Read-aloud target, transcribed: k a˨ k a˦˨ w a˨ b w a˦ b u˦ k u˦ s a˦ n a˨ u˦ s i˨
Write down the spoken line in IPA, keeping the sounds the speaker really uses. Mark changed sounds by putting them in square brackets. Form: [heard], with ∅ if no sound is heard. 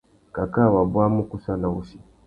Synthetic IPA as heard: k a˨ k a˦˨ w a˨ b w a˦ [m] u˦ k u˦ s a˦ n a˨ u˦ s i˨